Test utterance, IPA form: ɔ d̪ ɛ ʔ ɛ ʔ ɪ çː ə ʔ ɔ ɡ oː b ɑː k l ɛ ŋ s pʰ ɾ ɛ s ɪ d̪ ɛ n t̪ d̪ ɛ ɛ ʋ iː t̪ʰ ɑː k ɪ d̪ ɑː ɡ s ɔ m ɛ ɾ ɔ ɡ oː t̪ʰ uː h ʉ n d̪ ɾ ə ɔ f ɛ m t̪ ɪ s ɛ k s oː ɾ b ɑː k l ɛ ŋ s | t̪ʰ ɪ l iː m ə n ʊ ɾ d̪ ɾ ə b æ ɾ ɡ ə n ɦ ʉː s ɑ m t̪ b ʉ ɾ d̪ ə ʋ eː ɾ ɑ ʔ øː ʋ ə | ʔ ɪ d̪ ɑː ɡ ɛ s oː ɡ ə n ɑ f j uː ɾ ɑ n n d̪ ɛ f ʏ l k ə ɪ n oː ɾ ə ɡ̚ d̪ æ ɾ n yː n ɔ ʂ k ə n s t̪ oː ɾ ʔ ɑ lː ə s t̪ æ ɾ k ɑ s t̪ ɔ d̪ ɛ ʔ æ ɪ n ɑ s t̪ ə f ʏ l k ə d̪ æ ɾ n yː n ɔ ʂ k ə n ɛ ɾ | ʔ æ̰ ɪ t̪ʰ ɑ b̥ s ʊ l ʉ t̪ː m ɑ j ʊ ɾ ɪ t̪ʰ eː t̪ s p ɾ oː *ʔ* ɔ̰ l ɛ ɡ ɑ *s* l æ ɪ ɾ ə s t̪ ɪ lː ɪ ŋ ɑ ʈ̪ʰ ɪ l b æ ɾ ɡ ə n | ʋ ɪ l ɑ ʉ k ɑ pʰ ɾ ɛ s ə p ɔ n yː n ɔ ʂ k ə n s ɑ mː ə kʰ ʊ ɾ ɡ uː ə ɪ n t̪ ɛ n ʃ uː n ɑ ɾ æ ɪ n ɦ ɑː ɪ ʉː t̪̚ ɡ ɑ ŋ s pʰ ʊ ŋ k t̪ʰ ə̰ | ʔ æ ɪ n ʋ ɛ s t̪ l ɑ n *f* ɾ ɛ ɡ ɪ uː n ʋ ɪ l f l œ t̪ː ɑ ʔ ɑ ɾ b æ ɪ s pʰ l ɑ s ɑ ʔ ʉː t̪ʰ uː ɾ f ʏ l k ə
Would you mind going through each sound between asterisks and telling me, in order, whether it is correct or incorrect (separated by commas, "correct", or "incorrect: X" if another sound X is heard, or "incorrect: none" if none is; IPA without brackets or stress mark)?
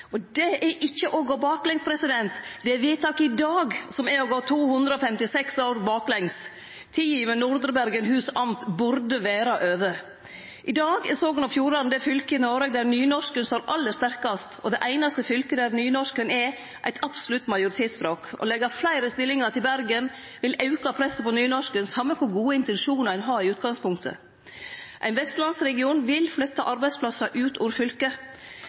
incorrect: k, incorrect: f, incorrect: s